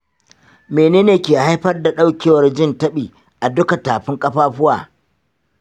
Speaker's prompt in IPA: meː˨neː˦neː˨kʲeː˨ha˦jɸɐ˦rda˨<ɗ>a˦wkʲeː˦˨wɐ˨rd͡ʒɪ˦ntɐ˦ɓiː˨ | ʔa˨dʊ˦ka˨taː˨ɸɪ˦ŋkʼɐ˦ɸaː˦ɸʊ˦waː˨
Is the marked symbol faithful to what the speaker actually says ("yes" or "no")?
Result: yes